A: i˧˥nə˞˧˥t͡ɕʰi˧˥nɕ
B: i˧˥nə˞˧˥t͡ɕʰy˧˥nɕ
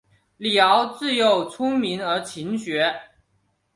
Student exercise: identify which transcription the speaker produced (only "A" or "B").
A